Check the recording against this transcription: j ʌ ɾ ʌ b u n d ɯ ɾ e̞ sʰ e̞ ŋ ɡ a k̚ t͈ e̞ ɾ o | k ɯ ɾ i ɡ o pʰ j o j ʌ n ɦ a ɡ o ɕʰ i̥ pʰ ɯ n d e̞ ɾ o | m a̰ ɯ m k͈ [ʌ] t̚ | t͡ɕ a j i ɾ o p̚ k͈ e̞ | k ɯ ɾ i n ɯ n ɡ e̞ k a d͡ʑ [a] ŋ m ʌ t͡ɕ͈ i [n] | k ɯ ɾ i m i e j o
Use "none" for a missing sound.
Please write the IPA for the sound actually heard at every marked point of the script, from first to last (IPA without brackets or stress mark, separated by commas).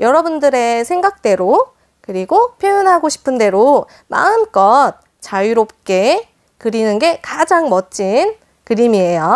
ʌ, a, n